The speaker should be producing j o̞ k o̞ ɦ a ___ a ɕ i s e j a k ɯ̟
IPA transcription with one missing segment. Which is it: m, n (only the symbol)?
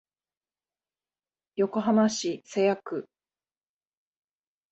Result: m